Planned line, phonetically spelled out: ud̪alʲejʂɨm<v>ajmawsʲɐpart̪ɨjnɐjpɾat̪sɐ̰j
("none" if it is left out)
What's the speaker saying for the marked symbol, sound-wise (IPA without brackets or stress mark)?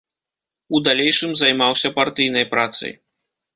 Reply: z